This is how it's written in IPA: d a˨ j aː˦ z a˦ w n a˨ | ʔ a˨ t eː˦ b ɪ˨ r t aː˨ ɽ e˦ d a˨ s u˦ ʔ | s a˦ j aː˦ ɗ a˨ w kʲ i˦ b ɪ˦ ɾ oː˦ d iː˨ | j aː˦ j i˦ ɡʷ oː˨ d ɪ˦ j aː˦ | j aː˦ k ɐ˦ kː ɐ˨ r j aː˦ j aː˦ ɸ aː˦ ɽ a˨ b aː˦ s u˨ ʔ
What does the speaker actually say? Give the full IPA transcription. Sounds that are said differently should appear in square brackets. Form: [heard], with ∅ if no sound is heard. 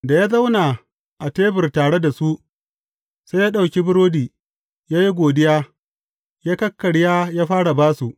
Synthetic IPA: d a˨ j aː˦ z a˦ w n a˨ | ʔ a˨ t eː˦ b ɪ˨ r t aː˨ ɽ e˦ d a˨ s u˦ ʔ | s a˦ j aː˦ ɗ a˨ w kʲ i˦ b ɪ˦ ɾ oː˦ d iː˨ | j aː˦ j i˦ ɡʷ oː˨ d ɪ˦ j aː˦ | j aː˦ k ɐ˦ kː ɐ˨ [ɽ] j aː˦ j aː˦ ɸ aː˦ ɽ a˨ b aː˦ s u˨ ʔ